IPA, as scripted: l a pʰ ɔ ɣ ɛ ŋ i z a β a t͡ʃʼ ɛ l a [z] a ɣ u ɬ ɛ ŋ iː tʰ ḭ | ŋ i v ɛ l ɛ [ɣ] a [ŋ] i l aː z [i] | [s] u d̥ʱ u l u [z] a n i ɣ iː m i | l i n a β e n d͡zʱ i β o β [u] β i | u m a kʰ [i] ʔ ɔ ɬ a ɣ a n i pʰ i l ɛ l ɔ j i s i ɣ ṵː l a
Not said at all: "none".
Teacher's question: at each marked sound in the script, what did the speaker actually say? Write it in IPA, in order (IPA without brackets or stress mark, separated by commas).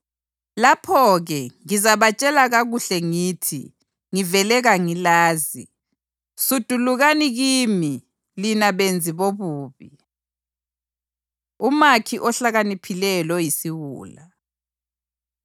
ɣ, ɣ, ŋ, i, s, ɣ, uː, i